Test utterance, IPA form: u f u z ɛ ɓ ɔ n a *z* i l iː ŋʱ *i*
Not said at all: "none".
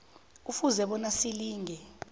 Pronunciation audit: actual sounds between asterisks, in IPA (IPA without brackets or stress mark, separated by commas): s, ɛ